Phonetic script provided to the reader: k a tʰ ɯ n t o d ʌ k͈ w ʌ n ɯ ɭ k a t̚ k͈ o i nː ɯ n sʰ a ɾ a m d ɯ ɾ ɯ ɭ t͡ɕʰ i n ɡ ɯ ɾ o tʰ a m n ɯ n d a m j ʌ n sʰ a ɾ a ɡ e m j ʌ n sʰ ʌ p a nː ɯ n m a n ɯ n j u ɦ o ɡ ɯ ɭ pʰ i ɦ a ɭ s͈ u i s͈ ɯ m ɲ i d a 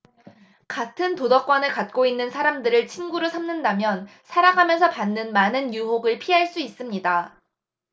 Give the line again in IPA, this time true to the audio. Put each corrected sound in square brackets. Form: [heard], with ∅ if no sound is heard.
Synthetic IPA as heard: k a tʰ ɯ n t o d ʌ k͈ w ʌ n ɯ ɭ k a t̚ k͈ o i nː ɯ n sʰ a ɾ a m d ɯ ɾ ɯ ɭ t͡ɕʰ i n ɡ [u] ɾ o [sʰ] a m n ɯ n d a m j ʌ n sʰ a ɾ a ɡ [a] m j ʌ n sʰ ʌ p a nː ɯ n m a n ɯ n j u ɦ o ɡ ɯ ɭ pʰ i ɦ a ɭ s͈ u i s͈ ɯ m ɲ i d a